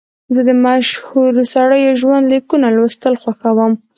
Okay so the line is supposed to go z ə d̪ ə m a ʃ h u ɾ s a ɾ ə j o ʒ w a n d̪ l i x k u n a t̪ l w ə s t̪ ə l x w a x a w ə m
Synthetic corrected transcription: z ə d̪ ə m a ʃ h u ɾ s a ɽ ə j o ʒ w a n d̪ l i k u n a l w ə s t̪ ə l x w a x a w ə m